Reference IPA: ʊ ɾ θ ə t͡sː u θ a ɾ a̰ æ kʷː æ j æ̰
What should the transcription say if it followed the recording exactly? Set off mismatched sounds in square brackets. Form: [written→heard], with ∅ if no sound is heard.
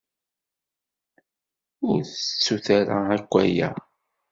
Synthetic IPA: ʊ ɾ θ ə t͡sː u θ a ɾ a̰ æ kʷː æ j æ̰